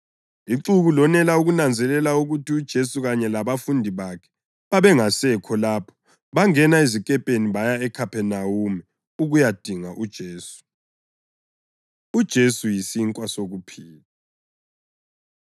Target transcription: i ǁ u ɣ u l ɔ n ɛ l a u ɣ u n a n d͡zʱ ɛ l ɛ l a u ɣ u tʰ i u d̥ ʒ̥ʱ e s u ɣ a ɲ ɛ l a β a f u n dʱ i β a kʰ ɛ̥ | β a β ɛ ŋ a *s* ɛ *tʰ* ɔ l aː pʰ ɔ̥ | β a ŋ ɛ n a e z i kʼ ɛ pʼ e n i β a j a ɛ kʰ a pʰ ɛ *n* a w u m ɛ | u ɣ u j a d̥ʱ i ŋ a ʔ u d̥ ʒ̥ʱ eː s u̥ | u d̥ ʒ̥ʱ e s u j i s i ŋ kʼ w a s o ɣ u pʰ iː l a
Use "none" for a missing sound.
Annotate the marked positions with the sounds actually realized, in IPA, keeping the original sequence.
s, kʰ, n

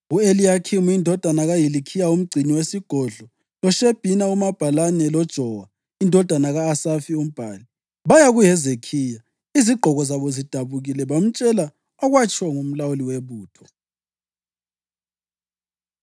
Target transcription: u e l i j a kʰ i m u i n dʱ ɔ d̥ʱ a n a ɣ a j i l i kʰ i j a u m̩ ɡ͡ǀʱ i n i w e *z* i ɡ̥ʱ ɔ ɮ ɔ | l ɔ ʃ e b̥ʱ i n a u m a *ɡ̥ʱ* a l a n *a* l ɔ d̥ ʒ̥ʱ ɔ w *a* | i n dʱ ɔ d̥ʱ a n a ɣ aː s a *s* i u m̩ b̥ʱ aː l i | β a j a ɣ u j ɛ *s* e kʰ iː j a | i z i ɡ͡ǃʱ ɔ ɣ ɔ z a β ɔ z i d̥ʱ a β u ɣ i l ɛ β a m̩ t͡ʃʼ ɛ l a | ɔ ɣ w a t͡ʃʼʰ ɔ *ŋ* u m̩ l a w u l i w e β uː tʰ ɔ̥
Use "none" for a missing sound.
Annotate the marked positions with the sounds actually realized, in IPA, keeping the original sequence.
s, b̥ʱ, ɛ, a, f, z, ŋ

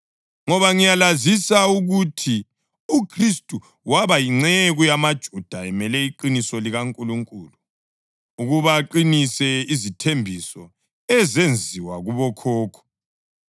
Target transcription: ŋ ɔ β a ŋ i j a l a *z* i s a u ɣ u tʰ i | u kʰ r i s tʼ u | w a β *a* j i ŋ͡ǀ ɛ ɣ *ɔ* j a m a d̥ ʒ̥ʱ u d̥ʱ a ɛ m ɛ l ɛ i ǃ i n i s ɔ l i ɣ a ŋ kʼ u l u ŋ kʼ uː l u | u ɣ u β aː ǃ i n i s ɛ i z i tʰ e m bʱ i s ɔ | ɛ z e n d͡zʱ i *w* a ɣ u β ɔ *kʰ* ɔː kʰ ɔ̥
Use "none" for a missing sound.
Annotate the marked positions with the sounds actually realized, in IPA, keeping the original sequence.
z, a, u, w, kʰ

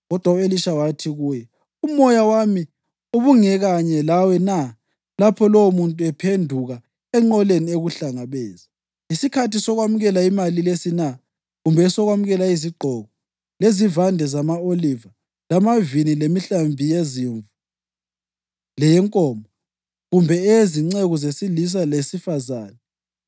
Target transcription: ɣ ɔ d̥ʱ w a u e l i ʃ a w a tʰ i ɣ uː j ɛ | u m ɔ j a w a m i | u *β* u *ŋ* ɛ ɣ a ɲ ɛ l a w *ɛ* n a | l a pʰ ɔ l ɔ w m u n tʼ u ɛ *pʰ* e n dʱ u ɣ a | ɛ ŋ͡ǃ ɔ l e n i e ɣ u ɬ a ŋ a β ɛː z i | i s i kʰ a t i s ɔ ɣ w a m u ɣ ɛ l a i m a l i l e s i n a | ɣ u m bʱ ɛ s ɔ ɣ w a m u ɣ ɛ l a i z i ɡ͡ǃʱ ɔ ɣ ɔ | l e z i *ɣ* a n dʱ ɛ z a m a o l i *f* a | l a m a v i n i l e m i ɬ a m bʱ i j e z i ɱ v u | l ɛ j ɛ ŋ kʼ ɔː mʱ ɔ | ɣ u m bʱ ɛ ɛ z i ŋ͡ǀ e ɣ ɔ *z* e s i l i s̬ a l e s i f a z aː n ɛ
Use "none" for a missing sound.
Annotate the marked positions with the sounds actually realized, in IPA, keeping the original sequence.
β, ŋ, ɛ, pʰ, v, v, z

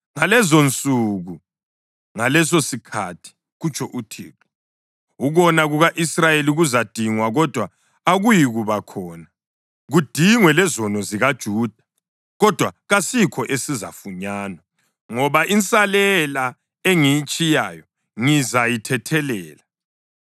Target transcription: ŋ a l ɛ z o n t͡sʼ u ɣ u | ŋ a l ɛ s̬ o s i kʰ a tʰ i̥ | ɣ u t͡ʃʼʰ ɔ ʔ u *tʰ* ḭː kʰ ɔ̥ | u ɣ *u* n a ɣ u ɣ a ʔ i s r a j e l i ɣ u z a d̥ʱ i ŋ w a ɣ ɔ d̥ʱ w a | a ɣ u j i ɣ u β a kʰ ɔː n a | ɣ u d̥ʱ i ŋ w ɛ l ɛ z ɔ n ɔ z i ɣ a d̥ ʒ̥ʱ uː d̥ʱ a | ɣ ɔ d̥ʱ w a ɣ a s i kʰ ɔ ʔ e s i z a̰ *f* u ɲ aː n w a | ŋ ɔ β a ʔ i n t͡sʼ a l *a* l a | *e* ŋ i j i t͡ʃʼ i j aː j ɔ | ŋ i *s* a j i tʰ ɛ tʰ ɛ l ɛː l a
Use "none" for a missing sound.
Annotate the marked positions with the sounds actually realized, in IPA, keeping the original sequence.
tʰ, ɔ, f, ɛ, e, z

